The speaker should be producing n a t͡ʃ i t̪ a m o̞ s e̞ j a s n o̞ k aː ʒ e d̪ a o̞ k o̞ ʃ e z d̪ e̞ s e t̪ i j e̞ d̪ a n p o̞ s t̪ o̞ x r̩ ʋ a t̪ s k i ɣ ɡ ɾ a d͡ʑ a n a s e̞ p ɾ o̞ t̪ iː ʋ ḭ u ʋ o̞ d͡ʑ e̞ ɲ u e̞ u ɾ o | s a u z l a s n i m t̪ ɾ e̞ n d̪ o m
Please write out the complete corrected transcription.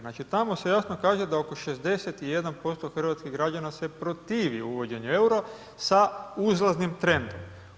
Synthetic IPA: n a t͡ʃ i t̪ a m o̞ s e̞ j a s n o̞ k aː ʒ e d̪ a o̞ k o̞ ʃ e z d̪ e̞ s e t̪ i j e̞ d̪ a n p o̞ s t̪ o̞ x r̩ ʋ a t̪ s k i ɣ ɡ ɾ a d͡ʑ a n a s e̞ p ɾ o̞ t̪ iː ʋ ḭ u ʋ o̞ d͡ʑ e̞ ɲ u e̞ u ɾ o | s a u z l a z n i m t̪ ɾ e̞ n d̪ o m